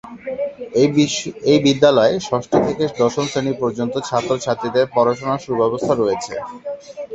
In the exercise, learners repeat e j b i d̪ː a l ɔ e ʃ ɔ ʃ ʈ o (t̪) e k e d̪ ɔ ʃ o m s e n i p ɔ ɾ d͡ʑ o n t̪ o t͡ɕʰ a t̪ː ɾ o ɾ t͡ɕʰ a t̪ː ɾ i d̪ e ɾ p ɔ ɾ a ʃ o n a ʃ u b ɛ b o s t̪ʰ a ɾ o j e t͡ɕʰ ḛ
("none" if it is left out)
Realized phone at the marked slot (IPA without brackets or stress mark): t̪ʰ